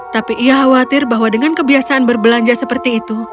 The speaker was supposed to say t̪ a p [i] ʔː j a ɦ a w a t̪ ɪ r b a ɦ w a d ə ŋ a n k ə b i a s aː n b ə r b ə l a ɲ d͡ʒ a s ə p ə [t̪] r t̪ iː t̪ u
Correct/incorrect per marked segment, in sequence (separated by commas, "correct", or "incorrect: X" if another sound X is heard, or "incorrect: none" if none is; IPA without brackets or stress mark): correct, incorrect: none